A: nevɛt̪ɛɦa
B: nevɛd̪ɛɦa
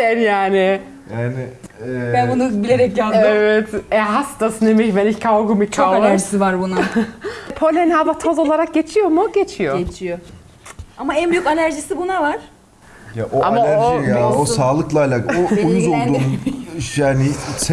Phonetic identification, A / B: A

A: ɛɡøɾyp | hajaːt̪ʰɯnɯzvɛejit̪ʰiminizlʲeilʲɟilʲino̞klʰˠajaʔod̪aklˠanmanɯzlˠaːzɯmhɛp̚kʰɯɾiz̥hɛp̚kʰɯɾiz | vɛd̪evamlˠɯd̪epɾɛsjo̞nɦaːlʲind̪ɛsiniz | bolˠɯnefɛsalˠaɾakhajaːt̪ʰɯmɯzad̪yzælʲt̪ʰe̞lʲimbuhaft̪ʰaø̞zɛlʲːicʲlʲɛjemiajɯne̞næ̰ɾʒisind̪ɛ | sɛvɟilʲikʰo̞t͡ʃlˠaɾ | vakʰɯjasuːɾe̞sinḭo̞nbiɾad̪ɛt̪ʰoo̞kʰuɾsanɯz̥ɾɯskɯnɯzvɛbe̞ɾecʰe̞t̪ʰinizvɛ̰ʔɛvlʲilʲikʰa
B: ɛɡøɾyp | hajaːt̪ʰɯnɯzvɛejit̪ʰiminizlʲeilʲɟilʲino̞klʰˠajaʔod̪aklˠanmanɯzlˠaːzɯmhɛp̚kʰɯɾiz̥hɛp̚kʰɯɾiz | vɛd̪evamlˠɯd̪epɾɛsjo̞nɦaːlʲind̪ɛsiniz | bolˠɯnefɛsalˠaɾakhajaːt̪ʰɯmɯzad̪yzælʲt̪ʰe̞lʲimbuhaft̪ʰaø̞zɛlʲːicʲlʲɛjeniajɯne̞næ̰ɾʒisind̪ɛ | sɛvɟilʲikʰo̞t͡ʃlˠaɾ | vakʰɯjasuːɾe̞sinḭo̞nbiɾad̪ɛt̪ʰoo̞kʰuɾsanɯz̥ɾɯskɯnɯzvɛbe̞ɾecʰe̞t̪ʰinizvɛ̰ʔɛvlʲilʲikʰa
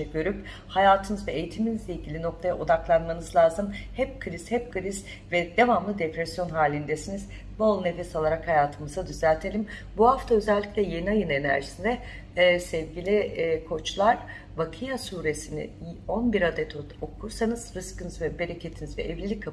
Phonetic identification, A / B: B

